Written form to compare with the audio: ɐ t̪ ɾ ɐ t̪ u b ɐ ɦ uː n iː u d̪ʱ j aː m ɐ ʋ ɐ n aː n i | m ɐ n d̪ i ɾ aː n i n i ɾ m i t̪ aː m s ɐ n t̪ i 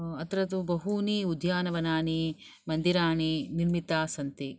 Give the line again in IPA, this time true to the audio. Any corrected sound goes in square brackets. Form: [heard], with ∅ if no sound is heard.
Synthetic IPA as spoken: ɐ t̪ ɾ ɐ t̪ u b ɐ ɦ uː n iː u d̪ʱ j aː [n] ɐ ʋ ɐ n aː n i | m ɐ n d̪ i ɾ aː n i n i ɾ m i t̪ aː [∅] s ɐ n t̪ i